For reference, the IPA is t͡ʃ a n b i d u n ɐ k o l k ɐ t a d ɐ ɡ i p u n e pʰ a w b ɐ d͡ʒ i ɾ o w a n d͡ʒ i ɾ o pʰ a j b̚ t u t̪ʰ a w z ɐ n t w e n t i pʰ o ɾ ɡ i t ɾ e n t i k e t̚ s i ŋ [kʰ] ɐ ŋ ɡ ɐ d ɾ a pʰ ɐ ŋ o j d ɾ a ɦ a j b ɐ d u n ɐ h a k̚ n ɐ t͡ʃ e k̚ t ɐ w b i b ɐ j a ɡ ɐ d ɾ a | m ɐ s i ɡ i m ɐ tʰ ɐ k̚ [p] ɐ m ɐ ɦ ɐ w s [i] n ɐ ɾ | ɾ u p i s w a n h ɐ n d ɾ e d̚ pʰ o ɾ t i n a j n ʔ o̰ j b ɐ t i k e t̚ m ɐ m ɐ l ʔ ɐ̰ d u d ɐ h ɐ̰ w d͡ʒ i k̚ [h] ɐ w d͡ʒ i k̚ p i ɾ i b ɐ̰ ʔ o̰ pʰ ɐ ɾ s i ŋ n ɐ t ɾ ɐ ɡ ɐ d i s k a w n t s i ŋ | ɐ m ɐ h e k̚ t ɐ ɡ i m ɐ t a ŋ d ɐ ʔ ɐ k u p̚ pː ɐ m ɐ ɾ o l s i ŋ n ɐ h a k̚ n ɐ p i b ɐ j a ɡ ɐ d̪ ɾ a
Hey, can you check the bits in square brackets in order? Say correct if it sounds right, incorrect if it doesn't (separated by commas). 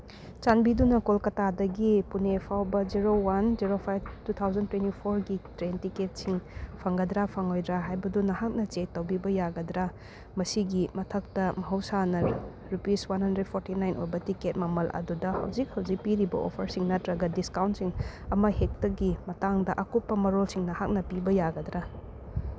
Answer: incorrect, incorrect, incorrect, correct